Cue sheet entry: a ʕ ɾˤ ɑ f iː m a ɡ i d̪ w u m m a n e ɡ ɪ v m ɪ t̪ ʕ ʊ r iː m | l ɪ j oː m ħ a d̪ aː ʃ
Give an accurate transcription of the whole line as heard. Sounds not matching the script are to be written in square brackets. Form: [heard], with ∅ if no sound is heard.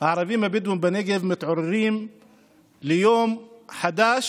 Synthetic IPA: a ʕ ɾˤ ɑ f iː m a [b] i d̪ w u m [b] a n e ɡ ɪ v m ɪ t̪ ʕ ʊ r iː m | l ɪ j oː m ħ a d̪ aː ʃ

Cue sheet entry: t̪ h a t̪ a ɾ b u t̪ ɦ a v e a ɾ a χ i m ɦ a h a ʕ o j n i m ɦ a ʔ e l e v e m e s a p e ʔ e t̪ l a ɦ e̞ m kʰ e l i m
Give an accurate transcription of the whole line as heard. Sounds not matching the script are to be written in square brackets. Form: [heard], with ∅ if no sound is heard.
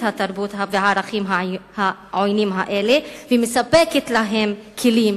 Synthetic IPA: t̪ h a t̪ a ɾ b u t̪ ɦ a v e a ɾ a χ i m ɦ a h a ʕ o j n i m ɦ a ʔ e l e v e m e s a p e [k] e t̪ l a ɦ e̞ m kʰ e l i m

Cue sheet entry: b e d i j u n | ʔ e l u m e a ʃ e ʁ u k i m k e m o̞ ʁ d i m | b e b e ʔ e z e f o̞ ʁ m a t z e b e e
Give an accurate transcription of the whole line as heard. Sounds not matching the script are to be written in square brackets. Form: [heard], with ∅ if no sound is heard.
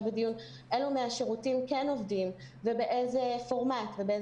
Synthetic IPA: b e d i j u n | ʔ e l u m e a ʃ e ʁ u [t] i m k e [n] o̞ [v] d i m | [v] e b e ʔ e z e f o̞ ʁ m a t [v] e b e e

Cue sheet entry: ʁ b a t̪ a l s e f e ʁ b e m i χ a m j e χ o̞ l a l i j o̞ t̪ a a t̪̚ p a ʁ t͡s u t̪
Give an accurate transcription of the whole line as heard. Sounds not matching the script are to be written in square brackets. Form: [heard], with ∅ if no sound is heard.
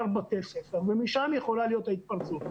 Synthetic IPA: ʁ b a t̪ [e] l s e f e ʁ [v] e m i [ʃ] a m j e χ o̞ l a l i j o̞ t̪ a [i] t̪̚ p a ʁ t͡s u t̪

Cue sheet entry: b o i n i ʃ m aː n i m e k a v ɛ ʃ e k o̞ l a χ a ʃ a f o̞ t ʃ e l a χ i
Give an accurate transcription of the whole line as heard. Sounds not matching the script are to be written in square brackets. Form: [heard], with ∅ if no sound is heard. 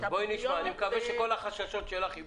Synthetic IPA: b o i n i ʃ m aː n i m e k a v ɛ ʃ e k o̞ l a χ a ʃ a [ʃ] o̞ t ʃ e l a χ i

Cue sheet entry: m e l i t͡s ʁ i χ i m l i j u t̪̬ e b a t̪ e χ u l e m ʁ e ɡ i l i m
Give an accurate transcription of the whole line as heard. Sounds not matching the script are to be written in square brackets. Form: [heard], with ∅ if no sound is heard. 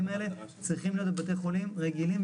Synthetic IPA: m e l [e] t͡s ʁ i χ i m l i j [o] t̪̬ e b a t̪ e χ [o] l [i] m ʁ e ɡ i l i m

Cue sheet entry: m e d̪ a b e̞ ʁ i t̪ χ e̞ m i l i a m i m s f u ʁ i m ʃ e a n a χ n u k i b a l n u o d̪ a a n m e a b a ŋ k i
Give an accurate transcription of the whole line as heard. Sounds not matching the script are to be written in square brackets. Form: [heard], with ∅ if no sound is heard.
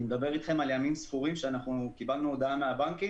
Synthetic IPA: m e d̪ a b e̞ ʁ i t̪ χ e̞ m [a] l [j] a m i m s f u ʁ i m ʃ e a n a χ n u k i b a l n u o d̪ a a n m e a b a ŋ k i

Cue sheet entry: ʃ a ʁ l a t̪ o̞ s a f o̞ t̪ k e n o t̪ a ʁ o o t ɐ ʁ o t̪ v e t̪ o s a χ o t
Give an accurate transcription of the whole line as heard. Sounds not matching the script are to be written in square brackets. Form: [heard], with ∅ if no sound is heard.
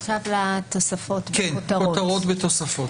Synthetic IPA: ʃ a [v] l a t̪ o̞ s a f o̞ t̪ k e n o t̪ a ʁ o o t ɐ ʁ o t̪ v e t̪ o s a [f] o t

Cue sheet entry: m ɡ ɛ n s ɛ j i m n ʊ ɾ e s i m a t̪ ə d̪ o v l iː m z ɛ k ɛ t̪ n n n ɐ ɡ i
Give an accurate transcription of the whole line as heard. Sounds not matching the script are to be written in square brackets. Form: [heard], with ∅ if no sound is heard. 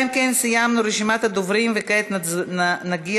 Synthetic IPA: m [k] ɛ n s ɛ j [a] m n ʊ ɾ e [ʃ] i m a t̪ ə d̪ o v [ɾ] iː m [v] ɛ k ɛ t̪ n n n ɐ ɡ i

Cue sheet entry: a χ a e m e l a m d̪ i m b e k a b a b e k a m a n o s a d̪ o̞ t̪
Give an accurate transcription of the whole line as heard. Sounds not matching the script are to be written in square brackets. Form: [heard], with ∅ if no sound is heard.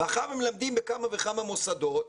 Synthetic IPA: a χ a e m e l a m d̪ i m b e k a [m] a [v] e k a m a [m] o s a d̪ o̞ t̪

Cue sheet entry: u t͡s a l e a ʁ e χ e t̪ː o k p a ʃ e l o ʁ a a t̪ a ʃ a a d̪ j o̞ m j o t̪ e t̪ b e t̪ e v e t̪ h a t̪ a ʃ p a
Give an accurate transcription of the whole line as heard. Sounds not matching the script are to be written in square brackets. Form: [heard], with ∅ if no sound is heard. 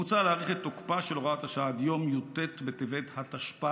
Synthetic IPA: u t͡s a l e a ʁ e χ e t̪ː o k p a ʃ e l o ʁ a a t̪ a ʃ a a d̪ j o̞ m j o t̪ e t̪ b e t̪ e v e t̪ h a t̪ a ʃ p a

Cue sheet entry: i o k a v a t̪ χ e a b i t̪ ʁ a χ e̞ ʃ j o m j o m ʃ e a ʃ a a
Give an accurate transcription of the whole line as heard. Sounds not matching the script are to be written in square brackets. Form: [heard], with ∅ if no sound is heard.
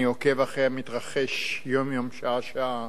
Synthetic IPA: i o k [e] v a [∅] χ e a [m] i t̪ ʁ a χ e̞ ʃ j o m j o m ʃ [a] a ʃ a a

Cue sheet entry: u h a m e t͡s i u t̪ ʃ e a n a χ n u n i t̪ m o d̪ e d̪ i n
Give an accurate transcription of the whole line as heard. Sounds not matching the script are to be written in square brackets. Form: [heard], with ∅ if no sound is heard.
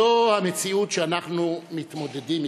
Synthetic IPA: [o] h a m e t͡s i u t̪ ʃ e a n a χ n u [m] i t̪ m o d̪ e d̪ i [m]

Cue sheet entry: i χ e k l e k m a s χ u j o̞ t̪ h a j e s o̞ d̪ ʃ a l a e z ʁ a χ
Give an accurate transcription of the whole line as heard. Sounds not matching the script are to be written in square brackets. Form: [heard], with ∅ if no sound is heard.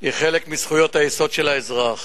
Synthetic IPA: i χ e [∅] l e k m [i] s χ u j o̞ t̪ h a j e s o̞ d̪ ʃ [e] l a e z ʁ a χ

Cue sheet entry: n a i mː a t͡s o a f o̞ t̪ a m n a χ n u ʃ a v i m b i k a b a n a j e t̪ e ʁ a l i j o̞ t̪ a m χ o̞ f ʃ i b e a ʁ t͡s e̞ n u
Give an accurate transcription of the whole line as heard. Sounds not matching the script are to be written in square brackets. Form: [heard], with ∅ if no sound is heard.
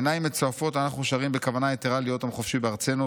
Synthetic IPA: n a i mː [e] t͡s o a f o̞ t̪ a [∅] n a χ n u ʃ a [ʁ] i m b [e] k a [v] a n a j e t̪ e ʁ a l i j o̞ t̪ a m χ o̞ f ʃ i b e a ʁ t͡s e̞ n u

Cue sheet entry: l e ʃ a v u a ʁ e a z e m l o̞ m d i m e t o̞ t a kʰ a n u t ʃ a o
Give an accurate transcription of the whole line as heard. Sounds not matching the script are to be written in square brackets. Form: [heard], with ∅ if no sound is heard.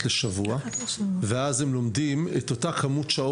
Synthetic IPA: l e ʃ a v u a [v] e a z e m l o̞ m d i m e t o̞ t a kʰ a [m] u t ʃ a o

